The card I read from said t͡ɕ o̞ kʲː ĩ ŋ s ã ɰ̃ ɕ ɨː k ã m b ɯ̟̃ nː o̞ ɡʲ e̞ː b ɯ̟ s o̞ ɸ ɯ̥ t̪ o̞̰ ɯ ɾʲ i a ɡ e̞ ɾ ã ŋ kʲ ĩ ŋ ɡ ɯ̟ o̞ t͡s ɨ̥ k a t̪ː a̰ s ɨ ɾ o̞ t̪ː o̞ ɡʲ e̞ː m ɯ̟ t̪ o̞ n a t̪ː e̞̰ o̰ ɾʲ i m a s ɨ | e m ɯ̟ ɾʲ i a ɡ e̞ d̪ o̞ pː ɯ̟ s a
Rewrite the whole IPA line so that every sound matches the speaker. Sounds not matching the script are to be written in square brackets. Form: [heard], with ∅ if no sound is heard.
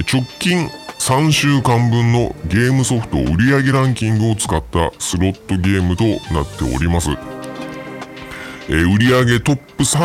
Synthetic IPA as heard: t͡ɕ o̞ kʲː ĩ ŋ s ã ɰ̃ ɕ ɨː k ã m b ɯ̟̃ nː o̞ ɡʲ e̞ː [m] ɯ̟ s o̞ ɸ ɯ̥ t̪ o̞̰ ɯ ɾʲ i a ɡ e̞ ɾ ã ŋ kʲ ĩ ŋ ɡ ɯ̟ o̞ t͡s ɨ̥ k a t̪ː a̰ s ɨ ɾ o̞ t̪ː o̞ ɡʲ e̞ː m ɯ̟ t̪ o̞ n a t̪ː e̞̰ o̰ ɾʲ i m a s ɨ | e [∅] ɯ̟ ɾʲ i a ɡ e̞ [t̪] o̞ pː ɯ̟ s a